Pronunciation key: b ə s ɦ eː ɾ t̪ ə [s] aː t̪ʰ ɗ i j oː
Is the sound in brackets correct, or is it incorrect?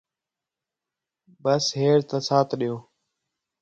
correct